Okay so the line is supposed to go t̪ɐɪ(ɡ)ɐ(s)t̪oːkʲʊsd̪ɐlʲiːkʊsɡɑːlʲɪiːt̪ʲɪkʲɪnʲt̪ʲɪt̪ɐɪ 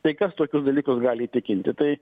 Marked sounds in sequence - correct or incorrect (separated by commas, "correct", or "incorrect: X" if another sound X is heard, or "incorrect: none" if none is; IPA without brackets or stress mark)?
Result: incorrect: k, correct